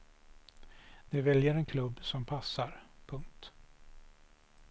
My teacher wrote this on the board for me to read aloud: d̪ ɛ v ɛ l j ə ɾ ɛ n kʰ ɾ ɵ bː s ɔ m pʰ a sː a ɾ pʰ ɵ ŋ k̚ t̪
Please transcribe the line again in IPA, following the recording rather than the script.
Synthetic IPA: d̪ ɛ v ɛ l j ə ɾ ɛ n kʰ l ɵ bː s ɔ m pʰ a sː a ɾ pʰ ɵ ŋ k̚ t̪